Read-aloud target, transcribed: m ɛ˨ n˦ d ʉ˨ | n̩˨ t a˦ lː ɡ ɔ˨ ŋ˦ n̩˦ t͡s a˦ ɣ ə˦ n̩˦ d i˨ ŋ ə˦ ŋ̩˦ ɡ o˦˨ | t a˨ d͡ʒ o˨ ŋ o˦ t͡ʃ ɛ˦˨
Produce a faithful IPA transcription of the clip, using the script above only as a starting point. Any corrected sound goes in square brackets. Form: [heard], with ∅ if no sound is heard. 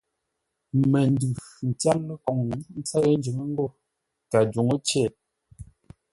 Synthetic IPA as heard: m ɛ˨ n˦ d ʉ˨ | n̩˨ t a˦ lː [k] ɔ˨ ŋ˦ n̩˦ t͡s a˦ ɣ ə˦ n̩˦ [d͡ʒ] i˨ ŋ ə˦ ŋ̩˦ ɡ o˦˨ | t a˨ d͡ʒ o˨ ŋ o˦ t͡ʃ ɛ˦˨